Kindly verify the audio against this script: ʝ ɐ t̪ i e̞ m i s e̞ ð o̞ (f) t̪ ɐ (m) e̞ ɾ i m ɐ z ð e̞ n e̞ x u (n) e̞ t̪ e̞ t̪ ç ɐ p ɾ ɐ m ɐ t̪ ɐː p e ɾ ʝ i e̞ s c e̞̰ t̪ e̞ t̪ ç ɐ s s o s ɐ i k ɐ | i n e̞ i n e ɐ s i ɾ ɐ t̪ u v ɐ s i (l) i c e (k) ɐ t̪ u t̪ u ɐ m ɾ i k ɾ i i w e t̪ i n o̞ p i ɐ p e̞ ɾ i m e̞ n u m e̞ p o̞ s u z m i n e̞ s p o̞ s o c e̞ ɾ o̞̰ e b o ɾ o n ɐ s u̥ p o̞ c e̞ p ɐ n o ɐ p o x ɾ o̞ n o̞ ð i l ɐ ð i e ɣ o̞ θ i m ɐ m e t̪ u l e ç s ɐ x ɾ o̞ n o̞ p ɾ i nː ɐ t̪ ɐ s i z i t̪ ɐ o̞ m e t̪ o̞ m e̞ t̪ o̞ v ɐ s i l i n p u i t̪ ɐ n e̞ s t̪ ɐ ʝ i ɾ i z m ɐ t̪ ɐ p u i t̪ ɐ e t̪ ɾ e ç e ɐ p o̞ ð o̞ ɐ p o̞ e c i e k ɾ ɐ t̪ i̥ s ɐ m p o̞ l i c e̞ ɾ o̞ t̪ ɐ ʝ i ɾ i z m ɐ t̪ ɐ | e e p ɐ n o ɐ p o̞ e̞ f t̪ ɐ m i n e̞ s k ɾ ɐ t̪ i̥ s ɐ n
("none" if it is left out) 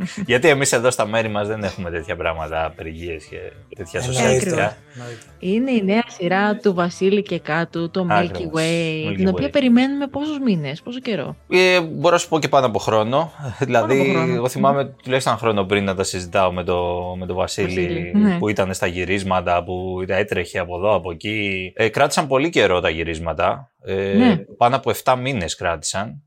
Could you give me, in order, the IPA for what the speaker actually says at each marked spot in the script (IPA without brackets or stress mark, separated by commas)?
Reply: s, m, m, l, k